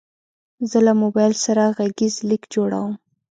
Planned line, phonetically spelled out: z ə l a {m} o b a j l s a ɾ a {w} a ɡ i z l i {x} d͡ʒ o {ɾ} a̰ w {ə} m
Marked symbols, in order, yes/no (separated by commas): yes, no, no, no, yes